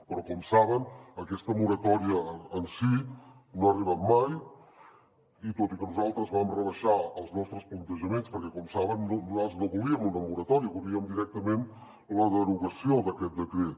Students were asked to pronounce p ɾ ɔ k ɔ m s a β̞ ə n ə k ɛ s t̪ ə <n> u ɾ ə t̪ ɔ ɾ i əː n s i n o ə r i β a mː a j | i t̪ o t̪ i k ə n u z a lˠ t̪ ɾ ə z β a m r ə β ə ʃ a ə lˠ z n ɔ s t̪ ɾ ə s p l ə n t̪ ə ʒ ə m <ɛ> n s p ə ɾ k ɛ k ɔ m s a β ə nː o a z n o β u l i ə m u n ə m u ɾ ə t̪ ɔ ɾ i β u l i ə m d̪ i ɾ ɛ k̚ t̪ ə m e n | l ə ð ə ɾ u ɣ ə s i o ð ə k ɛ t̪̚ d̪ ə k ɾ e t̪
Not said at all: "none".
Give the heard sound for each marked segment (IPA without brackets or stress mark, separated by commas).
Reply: m, e